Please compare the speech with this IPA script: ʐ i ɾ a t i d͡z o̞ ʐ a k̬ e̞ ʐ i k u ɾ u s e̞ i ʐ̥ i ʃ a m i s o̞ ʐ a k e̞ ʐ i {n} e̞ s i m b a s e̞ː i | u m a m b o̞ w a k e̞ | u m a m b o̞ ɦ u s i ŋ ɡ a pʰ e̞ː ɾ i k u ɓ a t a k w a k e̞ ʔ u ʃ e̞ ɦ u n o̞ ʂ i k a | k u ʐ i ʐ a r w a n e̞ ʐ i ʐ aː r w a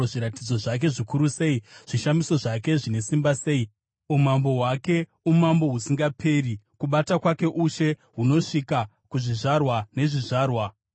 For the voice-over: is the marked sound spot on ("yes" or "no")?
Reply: yes